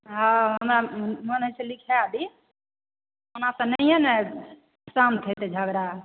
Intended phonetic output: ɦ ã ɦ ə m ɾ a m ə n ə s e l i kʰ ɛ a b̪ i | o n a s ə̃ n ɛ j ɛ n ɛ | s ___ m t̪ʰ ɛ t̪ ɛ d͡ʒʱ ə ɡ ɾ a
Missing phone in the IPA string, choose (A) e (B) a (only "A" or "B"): B